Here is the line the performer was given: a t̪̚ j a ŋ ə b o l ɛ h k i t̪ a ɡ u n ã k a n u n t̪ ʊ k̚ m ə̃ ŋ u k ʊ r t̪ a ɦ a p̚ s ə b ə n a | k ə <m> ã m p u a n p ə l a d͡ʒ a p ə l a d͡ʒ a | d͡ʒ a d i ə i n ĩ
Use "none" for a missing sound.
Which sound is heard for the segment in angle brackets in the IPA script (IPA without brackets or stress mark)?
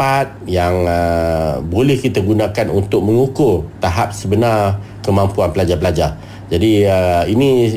m